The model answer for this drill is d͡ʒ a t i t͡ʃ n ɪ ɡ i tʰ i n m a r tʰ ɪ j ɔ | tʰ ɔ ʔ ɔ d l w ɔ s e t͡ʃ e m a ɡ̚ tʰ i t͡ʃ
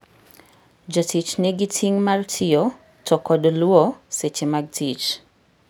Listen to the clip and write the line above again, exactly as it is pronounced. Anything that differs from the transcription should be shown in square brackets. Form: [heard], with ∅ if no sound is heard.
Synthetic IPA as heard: d͡ʒ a t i t͡ʃ n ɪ ɡ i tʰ i [ŋ] m a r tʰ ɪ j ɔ | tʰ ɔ [k] ɔ d l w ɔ s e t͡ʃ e m a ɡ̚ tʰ i t͡ʃ